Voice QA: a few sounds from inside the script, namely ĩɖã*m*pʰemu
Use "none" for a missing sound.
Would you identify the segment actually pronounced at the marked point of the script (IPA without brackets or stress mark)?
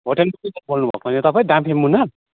m